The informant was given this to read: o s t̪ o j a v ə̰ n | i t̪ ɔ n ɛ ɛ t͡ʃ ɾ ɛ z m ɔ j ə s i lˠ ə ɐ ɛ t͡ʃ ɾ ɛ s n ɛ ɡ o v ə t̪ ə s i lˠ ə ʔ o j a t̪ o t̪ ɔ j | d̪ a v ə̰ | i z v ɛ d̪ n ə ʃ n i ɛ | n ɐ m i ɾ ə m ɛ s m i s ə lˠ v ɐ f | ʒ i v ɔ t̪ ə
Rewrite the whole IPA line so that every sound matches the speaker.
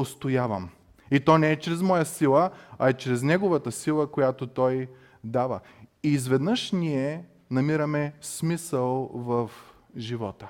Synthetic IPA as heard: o s t̪ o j a v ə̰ m | i t̪ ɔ n ɛ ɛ t͡ʃ ɾ ɛ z m ɔ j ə s i lˠ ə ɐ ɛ t͡ʃ ɾ ɛ z n ɛ ɡ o v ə t̪ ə s i lˠ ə k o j a t̪ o t̪ ɔ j | d̪ a v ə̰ | i z v ɛ d̪ n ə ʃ n i ɛ | n ɐ m i ɾ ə m ɛ s m i s ə lˠ v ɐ f | ʒ i v ɔ t̪ ə